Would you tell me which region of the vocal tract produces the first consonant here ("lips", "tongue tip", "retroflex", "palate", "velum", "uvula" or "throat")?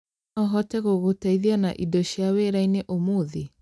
throat